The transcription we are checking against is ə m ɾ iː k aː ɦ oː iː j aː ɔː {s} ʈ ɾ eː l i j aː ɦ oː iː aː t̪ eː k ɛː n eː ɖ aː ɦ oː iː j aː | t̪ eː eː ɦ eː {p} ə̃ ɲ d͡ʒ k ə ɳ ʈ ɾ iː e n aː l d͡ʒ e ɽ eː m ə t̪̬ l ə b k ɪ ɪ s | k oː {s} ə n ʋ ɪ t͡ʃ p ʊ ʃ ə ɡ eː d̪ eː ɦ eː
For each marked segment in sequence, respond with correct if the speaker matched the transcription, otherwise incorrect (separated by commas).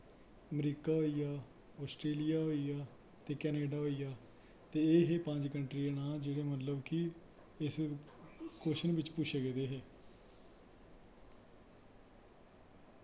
correct, correct, incorrect